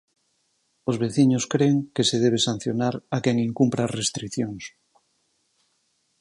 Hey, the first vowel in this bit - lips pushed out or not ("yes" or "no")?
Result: yes